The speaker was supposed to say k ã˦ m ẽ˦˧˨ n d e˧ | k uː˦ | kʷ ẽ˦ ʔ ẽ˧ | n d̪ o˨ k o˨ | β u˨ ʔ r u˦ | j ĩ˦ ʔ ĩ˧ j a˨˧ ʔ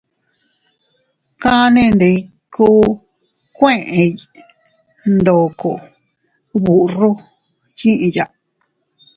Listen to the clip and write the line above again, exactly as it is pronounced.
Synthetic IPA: k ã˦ n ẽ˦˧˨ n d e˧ | k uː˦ | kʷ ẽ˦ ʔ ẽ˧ | n d̪ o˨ k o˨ | β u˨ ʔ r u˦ | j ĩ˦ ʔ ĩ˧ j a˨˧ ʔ